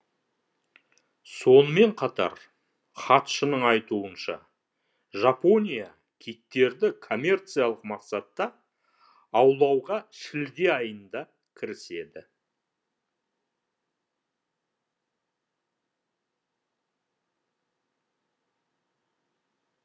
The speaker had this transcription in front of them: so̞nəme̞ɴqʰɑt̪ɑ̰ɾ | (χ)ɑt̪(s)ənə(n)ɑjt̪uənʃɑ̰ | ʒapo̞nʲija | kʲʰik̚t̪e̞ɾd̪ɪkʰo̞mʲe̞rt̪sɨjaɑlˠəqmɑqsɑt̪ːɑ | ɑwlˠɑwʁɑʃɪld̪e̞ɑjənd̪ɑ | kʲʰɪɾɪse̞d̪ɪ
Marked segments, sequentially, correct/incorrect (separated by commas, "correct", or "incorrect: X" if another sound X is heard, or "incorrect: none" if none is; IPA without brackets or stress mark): correct, incorrect: ʃ, incorrect: ɴ